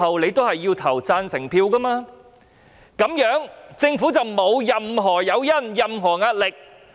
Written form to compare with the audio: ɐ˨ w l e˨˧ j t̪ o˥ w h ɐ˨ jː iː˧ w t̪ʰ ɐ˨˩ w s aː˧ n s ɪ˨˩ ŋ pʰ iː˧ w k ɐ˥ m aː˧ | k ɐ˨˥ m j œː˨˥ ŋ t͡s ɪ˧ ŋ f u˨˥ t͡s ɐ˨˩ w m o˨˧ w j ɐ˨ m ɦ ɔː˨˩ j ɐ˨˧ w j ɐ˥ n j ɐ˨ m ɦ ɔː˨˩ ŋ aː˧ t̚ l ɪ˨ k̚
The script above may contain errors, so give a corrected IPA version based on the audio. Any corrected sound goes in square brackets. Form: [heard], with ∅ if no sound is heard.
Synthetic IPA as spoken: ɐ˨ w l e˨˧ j t̪ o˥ w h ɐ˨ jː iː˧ w t̪ʰ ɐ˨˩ w [t͡s] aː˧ n s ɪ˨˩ ŋ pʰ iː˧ w k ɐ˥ m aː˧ | k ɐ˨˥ m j œː˨˥ ŋ t͡s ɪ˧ ŋ f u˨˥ t͡s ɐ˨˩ w m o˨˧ w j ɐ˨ m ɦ ɔː˨˩ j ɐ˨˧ w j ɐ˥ n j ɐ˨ m ɦ ɔː˨˩ ŋ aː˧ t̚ l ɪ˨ k̚